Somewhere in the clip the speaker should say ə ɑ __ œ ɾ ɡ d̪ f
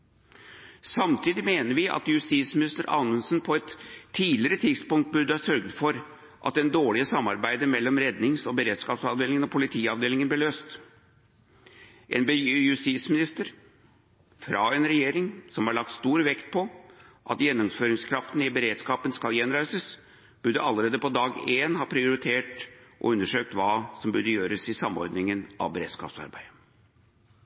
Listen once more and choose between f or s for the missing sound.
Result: s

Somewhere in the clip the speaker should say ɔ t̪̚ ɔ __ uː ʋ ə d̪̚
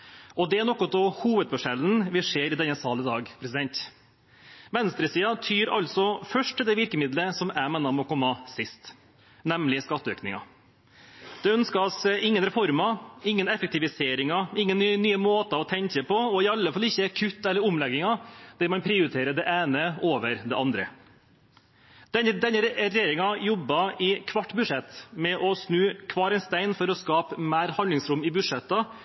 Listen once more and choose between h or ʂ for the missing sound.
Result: h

